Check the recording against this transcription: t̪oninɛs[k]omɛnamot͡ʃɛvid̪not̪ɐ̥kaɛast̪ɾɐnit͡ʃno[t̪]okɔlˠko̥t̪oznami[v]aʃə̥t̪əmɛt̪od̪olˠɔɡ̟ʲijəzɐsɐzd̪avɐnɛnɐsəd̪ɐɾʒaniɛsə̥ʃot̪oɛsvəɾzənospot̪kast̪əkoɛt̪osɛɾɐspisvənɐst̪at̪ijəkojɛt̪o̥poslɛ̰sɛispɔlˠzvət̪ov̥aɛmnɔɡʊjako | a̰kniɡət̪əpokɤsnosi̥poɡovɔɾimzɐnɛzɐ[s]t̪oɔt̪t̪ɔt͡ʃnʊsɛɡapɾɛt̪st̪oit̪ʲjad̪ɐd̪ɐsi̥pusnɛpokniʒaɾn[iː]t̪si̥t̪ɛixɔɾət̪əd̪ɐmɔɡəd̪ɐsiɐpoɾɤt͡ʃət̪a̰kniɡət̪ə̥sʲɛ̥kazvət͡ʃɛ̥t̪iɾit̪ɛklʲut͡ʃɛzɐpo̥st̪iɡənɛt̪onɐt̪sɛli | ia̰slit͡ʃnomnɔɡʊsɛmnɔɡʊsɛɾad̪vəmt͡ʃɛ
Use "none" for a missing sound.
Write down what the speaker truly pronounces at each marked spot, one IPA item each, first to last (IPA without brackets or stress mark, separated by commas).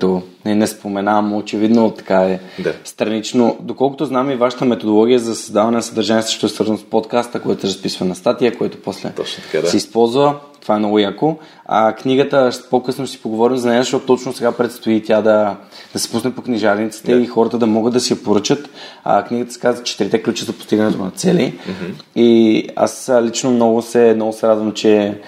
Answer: p, d̪, v, ʃ, i